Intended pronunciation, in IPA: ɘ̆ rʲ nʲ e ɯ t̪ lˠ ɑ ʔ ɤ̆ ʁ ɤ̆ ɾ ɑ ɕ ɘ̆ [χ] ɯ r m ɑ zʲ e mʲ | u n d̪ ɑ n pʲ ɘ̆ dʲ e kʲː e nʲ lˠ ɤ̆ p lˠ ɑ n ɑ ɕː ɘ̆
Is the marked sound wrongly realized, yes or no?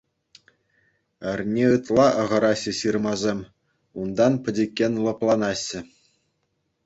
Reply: yes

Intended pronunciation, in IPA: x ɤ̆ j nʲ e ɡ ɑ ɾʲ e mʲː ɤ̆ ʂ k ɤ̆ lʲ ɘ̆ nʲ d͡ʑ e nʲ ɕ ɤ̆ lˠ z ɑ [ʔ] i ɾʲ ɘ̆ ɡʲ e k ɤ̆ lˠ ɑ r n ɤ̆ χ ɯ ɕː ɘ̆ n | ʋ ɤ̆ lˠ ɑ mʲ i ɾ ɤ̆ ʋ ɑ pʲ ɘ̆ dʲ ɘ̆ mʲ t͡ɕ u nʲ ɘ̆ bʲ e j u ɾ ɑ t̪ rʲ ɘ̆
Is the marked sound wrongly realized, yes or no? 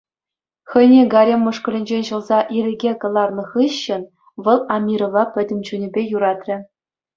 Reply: no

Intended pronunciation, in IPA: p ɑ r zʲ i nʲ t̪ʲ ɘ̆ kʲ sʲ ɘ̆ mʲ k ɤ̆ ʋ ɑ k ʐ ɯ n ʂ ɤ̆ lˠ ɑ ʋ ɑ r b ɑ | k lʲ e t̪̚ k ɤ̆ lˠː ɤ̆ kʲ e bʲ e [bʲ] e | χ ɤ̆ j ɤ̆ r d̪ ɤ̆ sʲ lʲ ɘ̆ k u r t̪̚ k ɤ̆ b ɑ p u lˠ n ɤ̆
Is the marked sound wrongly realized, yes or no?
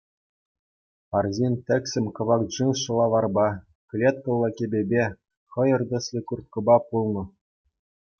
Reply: no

